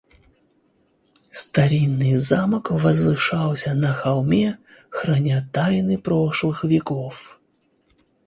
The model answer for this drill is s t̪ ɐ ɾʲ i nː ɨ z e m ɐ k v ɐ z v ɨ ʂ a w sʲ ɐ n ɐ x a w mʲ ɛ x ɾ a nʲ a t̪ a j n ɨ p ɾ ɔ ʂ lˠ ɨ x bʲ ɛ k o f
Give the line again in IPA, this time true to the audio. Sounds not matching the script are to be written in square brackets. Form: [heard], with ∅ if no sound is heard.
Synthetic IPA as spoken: s t̪ [a] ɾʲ i nː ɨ z [a] m ɐ k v ɐ z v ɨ ʂ a w sʲ ɐ n ɐ x a w mʲ ɛ x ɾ a nʲ a t̪ a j n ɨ p ɾ ɔ ʂ lˠ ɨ x [vʲ] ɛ k [ɔ] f